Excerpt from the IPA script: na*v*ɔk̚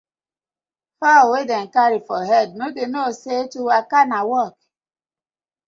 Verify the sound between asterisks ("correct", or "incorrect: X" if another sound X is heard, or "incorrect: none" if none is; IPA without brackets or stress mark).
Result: incorrect: w